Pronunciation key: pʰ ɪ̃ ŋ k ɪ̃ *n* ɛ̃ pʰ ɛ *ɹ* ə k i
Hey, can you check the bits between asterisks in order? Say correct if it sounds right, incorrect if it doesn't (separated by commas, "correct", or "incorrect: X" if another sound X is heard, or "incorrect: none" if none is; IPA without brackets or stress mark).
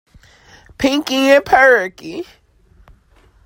incorrect: ŋ, correct